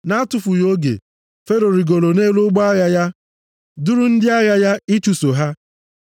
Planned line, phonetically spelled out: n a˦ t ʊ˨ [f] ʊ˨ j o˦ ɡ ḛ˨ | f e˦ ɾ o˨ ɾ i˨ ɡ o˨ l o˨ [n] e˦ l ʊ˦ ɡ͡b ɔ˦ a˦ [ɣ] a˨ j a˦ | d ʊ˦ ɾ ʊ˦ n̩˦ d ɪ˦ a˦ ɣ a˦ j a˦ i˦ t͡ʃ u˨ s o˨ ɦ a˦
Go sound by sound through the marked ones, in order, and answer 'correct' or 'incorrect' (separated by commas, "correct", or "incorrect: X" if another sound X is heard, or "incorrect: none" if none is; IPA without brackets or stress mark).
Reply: correct, correct, correct